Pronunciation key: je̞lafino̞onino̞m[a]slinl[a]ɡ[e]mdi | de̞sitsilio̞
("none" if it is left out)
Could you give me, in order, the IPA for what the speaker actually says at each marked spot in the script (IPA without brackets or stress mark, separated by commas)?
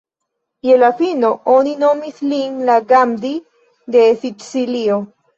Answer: i, a, a